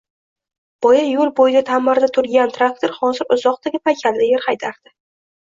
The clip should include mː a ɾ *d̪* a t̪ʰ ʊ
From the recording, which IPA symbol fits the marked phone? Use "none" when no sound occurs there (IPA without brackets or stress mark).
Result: d̪